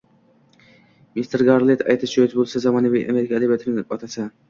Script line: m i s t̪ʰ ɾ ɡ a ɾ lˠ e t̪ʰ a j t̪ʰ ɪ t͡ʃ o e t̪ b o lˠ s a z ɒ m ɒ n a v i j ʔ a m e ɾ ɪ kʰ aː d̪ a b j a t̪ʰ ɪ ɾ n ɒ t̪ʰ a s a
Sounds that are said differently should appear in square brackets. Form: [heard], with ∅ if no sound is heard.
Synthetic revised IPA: m i s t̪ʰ ɾ ɡ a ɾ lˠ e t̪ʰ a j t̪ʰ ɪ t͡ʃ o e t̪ b o lˠ s a z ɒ m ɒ n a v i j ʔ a m e ɾ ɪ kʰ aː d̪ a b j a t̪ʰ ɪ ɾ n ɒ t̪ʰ a s a